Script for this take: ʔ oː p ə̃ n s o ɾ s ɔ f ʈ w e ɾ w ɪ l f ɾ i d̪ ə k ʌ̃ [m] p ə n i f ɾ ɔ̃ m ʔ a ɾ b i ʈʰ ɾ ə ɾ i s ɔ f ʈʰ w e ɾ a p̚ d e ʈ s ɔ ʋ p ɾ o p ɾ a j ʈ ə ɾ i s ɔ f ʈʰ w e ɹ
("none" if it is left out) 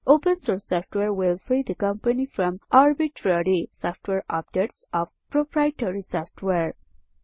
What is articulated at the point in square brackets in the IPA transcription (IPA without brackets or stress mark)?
m